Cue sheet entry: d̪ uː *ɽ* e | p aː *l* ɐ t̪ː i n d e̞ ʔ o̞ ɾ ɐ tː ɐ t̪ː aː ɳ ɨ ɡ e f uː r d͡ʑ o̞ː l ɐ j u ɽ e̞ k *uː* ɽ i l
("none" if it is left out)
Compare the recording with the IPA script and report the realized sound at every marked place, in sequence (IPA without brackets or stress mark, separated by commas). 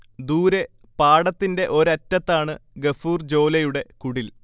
ɾ, ɽ, u